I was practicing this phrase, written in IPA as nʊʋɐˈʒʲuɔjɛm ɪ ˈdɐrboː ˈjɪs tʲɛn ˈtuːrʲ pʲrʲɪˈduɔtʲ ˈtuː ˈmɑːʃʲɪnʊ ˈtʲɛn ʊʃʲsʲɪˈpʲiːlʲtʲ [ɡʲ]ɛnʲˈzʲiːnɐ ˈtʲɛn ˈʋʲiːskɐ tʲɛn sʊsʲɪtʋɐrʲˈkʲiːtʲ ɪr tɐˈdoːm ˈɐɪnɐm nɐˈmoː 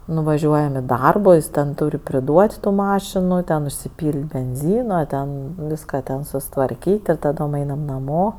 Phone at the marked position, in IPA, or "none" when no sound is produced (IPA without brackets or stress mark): bʲ